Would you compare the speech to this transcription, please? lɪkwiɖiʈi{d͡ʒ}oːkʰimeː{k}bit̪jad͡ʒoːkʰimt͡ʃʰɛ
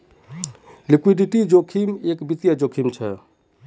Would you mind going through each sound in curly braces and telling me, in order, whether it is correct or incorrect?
correct, correct

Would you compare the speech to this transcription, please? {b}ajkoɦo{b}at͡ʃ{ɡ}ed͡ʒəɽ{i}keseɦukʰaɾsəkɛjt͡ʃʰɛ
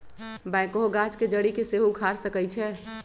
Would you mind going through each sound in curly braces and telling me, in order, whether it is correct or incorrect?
correct, incorrect: ɡ, incorrect: k, correct

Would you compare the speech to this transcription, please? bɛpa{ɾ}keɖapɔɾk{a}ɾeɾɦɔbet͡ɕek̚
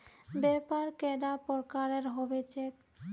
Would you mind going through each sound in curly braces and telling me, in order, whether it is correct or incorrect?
correct, correct

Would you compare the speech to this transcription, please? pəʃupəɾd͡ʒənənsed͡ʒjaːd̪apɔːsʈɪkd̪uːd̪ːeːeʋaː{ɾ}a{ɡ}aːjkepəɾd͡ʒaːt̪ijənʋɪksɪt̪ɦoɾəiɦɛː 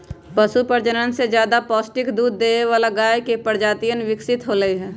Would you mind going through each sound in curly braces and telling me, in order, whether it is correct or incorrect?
incorrect: l, correct

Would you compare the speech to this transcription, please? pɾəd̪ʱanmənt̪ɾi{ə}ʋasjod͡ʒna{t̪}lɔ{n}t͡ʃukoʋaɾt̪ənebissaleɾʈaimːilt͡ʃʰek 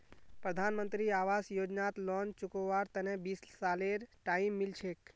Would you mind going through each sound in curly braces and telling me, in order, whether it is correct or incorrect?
incorrect: a, correct, correct

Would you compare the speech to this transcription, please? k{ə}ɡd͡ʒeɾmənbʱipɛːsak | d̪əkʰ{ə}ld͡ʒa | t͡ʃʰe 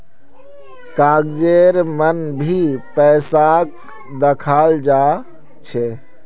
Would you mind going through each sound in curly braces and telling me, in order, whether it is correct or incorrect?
incorrect: a, incorrect: a

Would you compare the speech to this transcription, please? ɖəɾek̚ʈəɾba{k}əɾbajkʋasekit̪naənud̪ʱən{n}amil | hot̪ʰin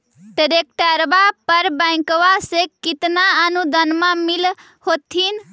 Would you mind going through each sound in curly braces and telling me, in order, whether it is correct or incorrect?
incorrect: p, incorrect: m

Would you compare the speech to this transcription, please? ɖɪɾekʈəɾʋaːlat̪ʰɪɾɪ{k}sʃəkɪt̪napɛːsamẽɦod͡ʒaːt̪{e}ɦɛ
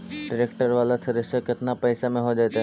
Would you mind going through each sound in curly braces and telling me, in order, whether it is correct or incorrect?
incorrect: none, incorrect: a

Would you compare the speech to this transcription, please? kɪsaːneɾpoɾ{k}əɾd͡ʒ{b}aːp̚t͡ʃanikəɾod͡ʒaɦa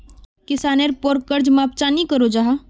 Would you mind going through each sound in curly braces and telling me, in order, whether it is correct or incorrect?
correct, incorrect: m

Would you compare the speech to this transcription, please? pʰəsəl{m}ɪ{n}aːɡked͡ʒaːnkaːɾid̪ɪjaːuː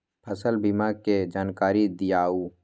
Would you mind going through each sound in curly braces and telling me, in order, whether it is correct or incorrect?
incorrect: b, incorrect: m

